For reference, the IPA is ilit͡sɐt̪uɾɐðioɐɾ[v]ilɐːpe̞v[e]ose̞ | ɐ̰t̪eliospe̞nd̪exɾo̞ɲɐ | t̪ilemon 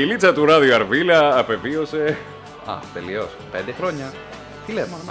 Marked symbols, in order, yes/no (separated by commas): yes, no